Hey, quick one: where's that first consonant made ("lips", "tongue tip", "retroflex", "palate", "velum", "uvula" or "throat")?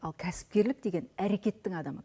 tongue tip